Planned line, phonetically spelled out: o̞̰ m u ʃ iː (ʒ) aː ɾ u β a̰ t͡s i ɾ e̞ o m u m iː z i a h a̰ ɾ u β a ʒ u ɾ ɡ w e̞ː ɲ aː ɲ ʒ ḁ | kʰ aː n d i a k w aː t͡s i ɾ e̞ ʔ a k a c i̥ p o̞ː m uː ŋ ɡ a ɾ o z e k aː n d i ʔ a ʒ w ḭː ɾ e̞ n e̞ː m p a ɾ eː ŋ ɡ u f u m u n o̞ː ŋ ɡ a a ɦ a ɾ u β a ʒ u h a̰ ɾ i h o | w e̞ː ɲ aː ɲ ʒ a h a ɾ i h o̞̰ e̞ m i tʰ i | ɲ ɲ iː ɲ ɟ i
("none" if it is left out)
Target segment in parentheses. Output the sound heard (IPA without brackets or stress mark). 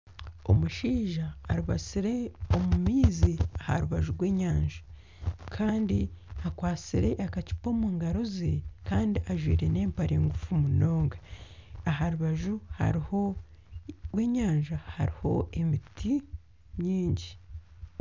ʒ